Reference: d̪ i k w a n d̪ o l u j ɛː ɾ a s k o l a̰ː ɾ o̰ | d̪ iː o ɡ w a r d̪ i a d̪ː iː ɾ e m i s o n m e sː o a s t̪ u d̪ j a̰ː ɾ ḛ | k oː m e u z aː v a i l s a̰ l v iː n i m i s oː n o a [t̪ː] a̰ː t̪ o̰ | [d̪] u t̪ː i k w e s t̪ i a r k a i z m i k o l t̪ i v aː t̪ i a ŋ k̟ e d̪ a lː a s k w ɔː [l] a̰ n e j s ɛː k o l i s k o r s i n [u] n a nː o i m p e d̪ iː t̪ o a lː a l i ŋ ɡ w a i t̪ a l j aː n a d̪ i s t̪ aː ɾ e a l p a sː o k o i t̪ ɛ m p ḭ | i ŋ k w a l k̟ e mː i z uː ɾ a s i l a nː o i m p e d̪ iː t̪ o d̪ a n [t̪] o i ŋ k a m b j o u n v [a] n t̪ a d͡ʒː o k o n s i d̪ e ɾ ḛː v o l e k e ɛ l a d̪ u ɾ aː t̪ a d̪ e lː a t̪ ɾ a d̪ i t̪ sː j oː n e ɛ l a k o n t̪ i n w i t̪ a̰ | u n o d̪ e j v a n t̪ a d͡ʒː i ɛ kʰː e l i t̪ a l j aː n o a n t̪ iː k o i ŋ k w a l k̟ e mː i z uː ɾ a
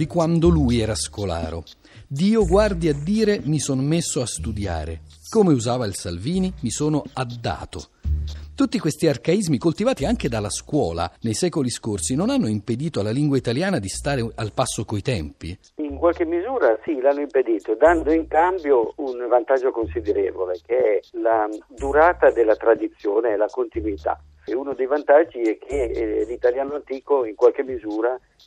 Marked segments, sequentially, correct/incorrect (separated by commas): incorrect, incorrect, correct, incorrect, incorrect, correct